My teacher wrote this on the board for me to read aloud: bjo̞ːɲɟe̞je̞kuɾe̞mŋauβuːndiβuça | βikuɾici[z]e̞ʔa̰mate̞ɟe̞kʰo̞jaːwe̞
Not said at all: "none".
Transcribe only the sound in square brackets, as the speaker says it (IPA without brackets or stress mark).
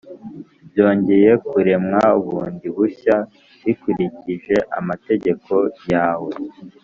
ʒ